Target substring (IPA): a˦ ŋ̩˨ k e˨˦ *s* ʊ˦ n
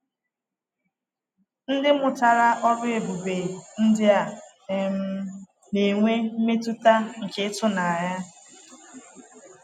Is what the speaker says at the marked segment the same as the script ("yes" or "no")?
no